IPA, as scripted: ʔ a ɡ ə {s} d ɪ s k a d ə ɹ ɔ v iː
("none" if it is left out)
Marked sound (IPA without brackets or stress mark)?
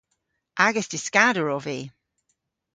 s